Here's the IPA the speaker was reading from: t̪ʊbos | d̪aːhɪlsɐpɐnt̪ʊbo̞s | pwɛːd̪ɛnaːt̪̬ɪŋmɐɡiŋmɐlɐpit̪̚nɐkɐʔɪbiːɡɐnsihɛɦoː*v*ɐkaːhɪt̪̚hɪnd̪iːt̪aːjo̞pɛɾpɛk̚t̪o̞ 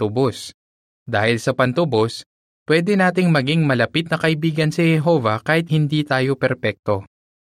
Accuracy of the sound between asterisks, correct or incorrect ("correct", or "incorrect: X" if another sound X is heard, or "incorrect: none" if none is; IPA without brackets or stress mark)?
correct